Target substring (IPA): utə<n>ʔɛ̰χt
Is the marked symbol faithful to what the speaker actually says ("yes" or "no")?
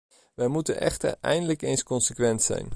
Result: yes